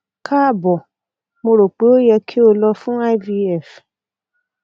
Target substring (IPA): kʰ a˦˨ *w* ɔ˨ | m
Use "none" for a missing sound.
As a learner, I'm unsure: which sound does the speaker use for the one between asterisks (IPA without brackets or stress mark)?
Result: b